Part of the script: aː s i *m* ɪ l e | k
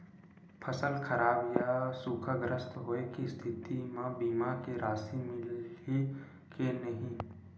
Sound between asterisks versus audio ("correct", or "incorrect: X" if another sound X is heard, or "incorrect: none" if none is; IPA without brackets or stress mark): correct